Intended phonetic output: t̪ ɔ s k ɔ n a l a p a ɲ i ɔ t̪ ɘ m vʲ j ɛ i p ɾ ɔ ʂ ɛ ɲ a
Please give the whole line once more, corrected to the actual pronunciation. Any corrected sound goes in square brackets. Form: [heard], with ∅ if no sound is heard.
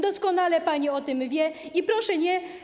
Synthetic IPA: [d̪] ɔ s k ɔ n a l [ɛ] p a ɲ i ɔ t̪ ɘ m vʲ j ɛ i p ɾ ɔ ʂ ɛ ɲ [ɛ]